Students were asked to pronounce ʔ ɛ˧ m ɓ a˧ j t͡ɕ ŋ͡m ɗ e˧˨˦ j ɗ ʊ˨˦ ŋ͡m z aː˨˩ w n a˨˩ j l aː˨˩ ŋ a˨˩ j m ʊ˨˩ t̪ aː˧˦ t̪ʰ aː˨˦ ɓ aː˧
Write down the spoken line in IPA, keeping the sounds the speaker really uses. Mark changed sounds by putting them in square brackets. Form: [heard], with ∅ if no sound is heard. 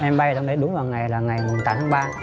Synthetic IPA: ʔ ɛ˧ m ɓ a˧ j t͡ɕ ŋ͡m ɗ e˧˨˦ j ɗ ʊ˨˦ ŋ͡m [v] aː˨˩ w [ŋ] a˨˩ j l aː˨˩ ŋ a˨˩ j m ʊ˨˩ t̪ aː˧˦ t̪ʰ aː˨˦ ɓ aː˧

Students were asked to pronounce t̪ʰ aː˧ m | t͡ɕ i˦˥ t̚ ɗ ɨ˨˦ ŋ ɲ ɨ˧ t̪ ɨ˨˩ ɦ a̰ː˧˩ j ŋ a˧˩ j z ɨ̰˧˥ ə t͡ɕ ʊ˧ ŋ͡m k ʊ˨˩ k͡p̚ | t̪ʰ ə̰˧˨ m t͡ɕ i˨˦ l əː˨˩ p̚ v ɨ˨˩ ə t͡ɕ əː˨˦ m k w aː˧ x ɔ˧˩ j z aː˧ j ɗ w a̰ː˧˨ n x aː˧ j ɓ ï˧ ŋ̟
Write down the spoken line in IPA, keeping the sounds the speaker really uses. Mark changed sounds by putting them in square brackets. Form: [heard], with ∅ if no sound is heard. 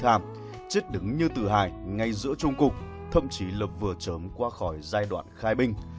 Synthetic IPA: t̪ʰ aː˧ m | t͡ɕ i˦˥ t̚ ɗ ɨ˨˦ ŋ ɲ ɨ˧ t̪ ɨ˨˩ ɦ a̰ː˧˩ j ŋ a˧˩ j z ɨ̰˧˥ ə t͡ɕ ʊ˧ ŋ͡m k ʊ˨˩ k͡p̚ | t̪ʰ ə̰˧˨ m t͡ɕ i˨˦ l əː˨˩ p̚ v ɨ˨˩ ə t͡ɕ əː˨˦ m k w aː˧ x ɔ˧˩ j z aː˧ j ɗ w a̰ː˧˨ n x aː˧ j ɓ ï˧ ŋ̟

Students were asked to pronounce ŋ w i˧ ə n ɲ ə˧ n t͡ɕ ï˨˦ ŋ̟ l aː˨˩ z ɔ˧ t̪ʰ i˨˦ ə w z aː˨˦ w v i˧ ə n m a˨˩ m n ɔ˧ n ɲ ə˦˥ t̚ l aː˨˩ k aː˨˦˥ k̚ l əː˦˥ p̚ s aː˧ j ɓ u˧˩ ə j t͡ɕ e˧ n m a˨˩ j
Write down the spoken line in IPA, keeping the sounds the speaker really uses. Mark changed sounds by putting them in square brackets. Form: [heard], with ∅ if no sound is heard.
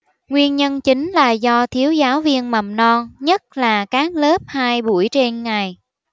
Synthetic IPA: ŋ w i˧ ə n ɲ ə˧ n t͡ɕ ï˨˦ ŋ̟ l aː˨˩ z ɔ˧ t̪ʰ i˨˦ ə w z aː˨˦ w v i˧ ə n m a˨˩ m n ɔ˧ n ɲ ə˦˥ t̚ l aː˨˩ k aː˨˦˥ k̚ l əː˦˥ p̚ [h] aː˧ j ɓ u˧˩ ə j t͡ɕ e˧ n [ŋ] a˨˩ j

